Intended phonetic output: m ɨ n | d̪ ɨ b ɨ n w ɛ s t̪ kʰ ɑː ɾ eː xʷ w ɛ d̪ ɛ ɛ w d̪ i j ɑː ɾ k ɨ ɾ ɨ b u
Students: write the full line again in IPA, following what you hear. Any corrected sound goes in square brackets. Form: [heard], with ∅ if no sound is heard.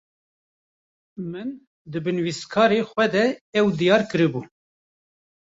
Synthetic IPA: m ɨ n | d̪ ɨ b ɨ n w [i] s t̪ kʰ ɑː ɾ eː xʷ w ɛ d̪ ɛ ɛ w d̪ i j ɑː ɾ k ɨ ɾ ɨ b u